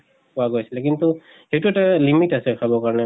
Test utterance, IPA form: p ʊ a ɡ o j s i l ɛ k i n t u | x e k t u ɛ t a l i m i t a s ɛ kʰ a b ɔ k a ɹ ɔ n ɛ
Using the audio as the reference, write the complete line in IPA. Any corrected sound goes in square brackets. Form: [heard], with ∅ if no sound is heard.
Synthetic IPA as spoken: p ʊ a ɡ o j s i l ɛ k i n t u | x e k t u ɛ t a l i m i t a s ɛ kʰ a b ɔ k a ɹ ɔ n ɛ